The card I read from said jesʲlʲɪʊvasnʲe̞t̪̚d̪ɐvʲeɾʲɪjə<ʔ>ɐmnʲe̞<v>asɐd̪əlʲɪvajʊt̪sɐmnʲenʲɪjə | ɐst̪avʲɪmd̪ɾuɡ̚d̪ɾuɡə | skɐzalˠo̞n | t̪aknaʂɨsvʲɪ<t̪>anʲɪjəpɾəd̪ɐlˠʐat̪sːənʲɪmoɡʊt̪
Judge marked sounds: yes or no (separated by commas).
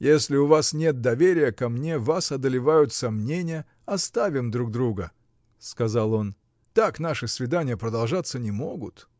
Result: no, yes, no